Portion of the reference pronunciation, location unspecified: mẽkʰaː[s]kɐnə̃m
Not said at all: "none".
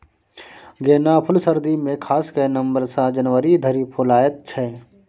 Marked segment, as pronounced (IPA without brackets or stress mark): s